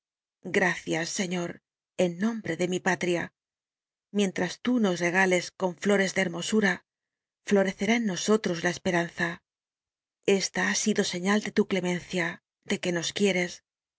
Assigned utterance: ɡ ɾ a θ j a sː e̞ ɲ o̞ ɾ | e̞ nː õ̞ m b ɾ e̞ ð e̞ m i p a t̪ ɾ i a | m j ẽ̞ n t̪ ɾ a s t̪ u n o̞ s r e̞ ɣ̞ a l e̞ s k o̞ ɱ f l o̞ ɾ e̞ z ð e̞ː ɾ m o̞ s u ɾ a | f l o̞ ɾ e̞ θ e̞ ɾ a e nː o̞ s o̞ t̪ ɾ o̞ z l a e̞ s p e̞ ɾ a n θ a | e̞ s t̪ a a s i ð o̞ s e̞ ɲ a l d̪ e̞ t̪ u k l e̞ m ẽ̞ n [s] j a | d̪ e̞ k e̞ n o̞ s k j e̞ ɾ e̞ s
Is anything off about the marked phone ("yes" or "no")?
yes